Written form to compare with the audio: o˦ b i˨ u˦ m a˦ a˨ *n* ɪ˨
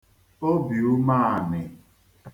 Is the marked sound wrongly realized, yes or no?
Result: no